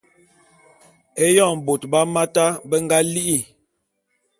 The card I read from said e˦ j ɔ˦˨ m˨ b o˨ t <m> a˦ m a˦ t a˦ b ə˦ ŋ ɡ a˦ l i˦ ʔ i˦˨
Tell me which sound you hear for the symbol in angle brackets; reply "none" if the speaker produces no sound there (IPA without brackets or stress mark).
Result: b